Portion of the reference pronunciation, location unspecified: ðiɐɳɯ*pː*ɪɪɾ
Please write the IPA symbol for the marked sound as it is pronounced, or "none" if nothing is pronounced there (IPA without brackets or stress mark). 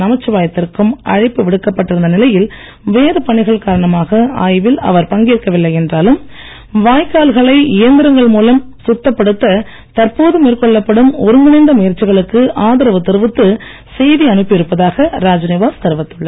pː